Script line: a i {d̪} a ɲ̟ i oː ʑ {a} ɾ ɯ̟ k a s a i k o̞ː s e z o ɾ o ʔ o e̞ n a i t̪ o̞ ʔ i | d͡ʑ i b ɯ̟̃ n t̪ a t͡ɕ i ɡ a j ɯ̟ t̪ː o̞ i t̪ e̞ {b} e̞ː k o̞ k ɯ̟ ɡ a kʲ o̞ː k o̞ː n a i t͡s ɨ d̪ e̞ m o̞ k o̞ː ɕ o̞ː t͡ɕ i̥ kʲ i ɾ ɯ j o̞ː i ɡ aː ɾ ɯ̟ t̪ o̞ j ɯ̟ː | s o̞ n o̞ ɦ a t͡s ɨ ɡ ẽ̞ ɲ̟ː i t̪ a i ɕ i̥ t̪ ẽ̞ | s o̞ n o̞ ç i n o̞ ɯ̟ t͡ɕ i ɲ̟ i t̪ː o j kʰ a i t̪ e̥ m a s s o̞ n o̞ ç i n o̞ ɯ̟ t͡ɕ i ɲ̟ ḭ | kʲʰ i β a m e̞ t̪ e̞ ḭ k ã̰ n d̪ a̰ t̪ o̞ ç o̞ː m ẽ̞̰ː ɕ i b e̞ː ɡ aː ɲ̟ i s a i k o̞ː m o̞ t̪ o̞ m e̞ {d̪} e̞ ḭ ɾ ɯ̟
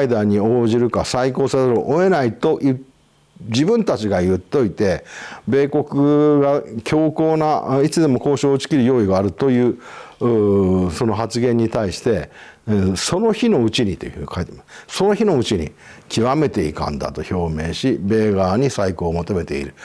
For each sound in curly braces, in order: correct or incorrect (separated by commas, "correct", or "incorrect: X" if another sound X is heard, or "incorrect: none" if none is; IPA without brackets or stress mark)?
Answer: correct, incorrect: i, correct, incorrect: t̪